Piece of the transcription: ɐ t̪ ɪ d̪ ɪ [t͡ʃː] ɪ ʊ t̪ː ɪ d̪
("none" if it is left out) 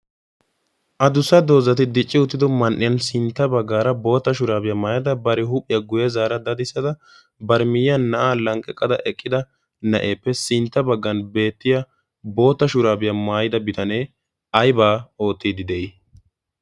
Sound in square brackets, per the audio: t͡ʃʼː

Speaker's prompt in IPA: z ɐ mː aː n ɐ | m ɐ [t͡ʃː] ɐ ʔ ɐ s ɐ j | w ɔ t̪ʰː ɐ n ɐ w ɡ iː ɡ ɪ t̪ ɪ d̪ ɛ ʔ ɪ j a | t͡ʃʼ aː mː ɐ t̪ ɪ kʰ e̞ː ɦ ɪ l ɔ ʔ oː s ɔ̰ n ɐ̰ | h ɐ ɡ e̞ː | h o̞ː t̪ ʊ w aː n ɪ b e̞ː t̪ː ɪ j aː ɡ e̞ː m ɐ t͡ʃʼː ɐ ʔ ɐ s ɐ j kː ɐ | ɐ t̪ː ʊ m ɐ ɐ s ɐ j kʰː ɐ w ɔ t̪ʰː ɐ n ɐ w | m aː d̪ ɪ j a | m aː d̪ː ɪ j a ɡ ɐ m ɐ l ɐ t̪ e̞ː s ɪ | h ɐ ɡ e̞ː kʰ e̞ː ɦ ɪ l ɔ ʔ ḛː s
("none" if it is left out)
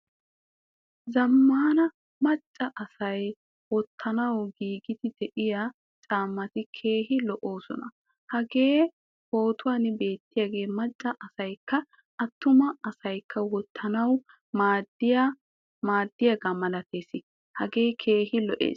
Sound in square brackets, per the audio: t͡ʃʼː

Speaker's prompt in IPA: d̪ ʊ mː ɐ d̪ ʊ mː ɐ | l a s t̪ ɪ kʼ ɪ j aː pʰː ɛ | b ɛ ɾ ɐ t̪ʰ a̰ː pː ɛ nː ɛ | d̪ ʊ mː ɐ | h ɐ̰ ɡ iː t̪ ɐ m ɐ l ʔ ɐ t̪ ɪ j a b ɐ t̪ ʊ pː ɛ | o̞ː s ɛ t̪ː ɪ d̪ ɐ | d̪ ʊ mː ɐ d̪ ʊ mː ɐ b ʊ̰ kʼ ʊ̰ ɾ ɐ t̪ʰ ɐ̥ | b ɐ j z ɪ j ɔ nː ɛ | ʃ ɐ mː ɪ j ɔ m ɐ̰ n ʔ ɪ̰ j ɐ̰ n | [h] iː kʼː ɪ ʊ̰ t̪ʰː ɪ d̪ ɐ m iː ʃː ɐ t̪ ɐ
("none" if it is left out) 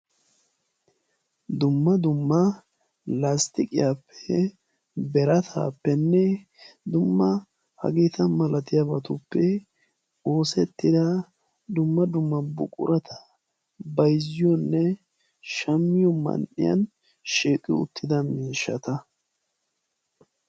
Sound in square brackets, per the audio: ʃ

